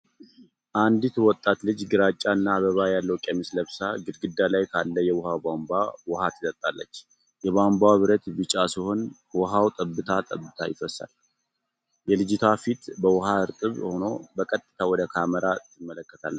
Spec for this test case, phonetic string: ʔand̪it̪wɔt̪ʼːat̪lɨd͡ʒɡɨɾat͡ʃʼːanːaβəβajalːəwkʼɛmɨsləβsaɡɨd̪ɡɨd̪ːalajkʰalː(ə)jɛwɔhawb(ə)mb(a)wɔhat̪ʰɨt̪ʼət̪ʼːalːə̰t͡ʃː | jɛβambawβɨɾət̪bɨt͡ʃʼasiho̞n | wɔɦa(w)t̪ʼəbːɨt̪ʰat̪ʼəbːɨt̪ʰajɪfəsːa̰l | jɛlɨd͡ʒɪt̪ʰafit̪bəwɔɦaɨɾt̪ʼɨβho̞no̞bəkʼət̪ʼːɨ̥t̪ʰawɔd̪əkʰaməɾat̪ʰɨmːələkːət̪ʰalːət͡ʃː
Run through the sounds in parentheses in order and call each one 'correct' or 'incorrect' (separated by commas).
correct, incorrect, correct, correct